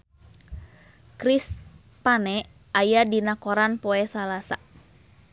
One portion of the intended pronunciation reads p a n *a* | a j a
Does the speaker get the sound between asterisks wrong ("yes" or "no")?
yes